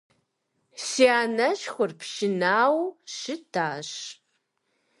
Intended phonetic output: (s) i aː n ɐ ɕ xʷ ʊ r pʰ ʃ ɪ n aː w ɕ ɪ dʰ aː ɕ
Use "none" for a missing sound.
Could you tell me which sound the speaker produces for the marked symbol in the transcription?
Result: s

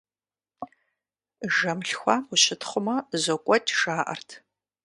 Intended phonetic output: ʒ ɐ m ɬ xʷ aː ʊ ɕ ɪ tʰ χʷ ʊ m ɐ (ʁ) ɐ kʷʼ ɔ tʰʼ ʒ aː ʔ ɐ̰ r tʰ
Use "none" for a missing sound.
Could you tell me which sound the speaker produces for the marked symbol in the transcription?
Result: z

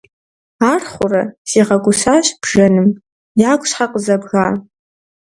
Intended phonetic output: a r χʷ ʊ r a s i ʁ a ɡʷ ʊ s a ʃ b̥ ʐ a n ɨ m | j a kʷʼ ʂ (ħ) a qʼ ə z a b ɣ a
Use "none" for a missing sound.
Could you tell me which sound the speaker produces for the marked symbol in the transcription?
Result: ħ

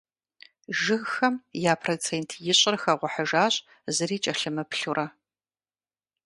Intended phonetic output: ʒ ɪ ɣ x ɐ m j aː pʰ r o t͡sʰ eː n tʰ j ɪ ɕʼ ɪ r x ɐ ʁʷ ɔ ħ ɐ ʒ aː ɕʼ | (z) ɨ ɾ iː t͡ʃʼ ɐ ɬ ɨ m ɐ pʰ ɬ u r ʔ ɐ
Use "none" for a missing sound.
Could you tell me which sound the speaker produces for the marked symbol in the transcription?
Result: z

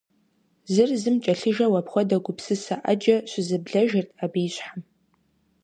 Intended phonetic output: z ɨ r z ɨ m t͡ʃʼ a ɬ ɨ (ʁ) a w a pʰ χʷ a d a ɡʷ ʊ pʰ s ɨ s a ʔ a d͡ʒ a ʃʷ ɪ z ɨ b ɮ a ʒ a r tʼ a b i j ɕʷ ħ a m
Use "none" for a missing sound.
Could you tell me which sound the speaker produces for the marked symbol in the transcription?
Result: ʒ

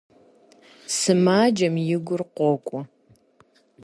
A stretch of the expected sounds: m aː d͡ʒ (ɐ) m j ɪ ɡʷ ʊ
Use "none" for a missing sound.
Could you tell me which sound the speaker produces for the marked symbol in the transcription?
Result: ɐ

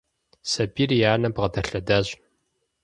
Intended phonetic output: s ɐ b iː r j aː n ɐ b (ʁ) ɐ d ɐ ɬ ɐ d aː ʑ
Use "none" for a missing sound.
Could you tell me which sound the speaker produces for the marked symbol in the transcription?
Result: ʁ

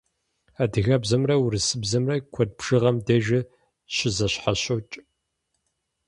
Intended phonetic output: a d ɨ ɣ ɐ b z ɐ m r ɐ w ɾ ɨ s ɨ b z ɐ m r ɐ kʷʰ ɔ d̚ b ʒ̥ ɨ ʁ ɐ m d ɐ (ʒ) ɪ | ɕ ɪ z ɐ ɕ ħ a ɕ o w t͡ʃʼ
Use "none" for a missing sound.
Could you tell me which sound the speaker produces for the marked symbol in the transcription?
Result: ʒ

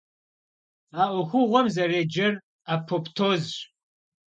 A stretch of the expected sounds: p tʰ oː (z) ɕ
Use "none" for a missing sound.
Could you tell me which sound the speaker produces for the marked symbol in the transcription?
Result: z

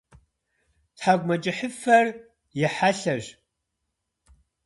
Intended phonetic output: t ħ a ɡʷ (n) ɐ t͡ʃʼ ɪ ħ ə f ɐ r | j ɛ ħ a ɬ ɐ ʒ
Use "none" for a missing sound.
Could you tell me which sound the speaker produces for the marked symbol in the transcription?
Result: m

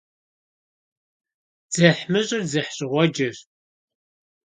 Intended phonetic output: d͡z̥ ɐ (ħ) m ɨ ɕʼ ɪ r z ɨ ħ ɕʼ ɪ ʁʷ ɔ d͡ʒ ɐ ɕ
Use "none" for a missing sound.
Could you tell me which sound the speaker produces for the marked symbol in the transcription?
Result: ħ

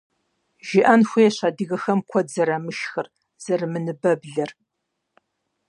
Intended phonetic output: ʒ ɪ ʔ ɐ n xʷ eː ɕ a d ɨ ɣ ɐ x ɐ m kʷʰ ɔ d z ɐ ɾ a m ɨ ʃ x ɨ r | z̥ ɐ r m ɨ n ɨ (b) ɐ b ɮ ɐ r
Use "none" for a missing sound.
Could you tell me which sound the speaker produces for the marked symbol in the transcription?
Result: b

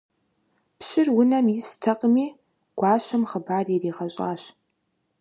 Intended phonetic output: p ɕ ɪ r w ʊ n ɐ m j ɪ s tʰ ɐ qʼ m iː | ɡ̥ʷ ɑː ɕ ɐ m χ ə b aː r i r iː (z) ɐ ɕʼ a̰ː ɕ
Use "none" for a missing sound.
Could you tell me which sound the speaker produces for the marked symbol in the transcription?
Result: ʁ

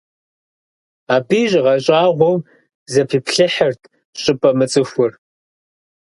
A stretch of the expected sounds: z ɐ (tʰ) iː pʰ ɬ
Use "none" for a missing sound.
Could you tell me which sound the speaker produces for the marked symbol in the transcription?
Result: pʰ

